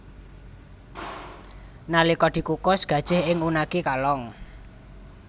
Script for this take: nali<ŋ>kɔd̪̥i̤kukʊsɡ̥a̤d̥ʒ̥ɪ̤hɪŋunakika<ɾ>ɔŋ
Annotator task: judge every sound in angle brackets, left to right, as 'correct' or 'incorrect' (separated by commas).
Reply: incorrect, incorrect